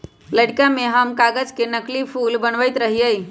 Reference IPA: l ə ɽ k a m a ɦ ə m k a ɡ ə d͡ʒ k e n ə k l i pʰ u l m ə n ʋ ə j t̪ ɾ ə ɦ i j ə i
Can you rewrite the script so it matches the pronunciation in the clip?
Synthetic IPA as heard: l ə ɽ k a m e ɦ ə m k a ɡ ə d͡ʒ k e n ə k l i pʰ u l b ə n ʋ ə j t̪ ɾ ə ɦ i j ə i